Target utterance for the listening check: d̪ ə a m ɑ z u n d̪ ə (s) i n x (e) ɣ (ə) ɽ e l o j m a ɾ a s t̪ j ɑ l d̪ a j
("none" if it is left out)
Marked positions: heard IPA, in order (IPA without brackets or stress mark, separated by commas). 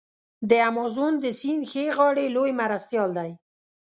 s, e, ɑ